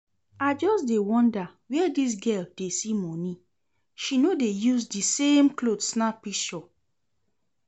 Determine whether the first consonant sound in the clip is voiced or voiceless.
voiced